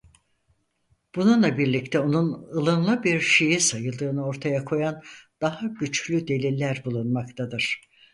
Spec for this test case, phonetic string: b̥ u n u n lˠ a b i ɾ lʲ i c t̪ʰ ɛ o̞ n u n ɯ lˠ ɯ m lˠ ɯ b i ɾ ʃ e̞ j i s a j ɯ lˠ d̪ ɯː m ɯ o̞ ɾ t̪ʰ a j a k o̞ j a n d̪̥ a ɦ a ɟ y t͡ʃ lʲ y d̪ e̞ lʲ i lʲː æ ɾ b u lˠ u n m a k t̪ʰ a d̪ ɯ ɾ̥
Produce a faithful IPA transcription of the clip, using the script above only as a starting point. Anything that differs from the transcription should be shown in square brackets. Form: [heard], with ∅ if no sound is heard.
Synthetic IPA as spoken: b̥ u n u n lˠ a b i ɾ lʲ i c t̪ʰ ɛ o̞ n u n ɯ lˠ ɯ [n] lˠ ɯ b i ɾ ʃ e̞ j i s a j ɯ lˠ d̪ ɯː [n] ɯ o̞ ɾ t̪ʰ a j a [kʰ] o̞ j a n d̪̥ a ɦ a ɟ y t͡ʃ lʲ y d̪ e̞ lʲ i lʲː æ ɾ b u lˠ u n m a k t̪ʰ a d̪ ɯ ɾ̥

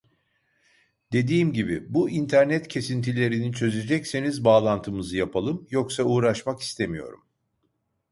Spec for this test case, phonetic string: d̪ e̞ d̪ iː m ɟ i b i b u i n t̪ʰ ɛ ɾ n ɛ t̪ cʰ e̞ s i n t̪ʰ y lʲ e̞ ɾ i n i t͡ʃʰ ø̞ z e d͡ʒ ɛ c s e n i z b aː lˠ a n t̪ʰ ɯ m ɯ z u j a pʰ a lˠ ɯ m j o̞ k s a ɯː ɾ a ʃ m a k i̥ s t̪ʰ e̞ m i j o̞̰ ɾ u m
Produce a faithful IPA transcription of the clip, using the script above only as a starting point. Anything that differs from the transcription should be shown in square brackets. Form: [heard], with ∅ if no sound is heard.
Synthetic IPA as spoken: d̪ e̞ d̪ iː m ɟ i b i b u i n t̪ʰ [æ] ɾ n ɛ t̪ cʰ e̞ s i n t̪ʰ [i] lʲ e̞ ɾ i n i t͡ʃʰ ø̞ z e d͡ʒ ɛ c s e n i z b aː lˠ a n t̪ʰ ɯ m ɯ z [ɯ] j a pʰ a lˠ ɯ m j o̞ k s a [uː] ɾ a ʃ m a k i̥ s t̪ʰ e̞ m i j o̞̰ ɾ u m

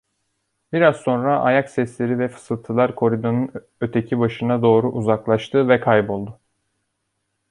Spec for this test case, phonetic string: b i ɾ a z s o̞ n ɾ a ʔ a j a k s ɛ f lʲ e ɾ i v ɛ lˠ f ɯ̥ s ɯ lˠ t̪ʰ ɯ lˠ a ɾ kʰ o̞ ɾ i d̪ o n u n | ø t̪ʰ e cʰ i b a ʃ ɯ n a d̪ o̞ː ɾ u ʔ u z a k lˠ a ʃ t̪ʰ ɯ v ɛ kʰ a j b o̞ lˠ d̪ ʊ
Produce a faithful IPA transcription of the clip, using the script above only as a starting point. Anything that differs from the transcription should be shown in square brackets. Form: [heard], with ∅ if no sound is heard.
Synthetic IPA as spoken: b i ɾ a z s o̞ n ɾ a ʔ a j a k s ɛ [s] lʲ e ɾ i v ɛ [∅] f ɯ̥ s ɯ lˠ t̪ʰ ɯ lˠ a ɾ kʰ o̞ ɾ i d̪ o n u n | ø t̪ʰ e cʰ i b a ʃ ɯ n a d̪ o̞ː ɾ u ʔ u z a k lˠ a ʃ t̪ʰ ɯ v ɛ kʰ a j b o̞ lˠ d̪ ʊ

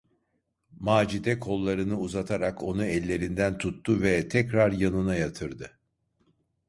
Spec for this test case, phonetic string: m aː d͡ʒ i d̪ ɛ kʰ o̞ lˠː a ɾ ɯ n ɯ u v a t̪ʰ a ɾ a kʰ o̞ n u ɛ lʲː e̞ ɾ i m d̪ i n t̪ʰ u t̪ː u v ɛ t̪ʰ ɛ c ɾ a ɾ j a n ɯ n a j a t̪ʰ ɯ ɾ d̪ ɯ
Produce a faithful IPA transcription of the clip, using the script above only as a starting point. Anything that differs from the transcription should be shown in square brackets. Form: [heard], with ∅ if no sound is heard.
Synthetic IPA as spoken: m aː d͡ʒ i d̪ ɛ kʰ o̞ lˠː a ɾ ɯ n ɯ u [z] a t̪ʰ a ɾ a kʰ o̞ n u ɛ lʲː e̞ ɾ i [n] d̪ [æ] n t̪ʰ u t̪ː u v ɛ t̪ʰ ɛ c ɾ a ɾ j a n ɯ n a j a t̪ʰ ɯ ɾ d̪ ɯ

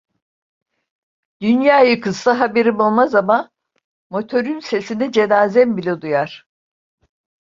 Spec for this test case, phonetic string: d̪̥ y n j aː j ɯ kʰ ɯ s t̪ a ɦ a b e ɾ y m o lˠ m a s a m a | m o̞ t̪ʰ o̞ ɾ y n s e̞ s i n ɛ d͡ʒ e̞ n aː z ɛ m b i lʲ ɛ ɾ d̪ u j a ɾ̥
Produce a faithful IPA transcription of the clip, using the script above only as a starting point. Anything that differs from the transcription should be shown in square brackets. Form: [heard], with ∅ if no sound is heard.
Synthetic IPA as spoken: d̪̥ y n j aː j ɯ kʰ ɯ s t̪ a ɦ a b e ɾ [i] m o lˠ m a [z] a m a | m o̞ t̪ʰ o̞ ɾ y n s e̞ s i n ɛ d͡ʒ e̞ n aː z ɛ m b i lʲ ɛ [∅] d̪ u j a ɾ̥

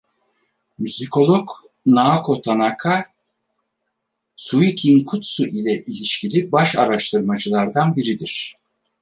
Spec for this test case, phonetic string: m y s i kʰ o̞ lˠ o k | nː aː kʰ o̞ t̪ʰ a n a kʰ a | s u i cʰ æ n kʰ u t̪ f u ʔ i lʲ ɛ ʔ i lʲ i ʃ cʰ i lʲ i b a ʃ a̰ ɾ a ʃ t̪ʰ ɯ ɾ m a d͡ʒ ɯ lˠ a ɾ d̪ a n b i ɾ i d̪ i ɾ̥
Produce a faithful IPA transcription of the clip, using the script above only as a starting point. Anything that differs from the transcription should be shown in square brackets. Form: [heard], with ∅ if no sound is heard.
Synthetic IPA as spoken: m y [z] i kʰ o̞ lˠ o k | [n] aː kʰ o̞ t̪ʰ a n a kʰ a | s u i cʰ [i] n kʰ u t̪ [s] u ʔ i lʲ ɛ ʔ i lʲ i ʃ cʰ i lʲ i b a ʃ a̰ ɾ a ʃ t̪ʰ ɯ ɾ m a d͡ʒ ɯ lˠ a ɾ d̪ a n b i ɾ i d̪ i ɾ̥

